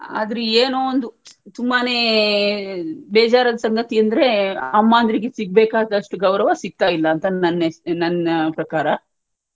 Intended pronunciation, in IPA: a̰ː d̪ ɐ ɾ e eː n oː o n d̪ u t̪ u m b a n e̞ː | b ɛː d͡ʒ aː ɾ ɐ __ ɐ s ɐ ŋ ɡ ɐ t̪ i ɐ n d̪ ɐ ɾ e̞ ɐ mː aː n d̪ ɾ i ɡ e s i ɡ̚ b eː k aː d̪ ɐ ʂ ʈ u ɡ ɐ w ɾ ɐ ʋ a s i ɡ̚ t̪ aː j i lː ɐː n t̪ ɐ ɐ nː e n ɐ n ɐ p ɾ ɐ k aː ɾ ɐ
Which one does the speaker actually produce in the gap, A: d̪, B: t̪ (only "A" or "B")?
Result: A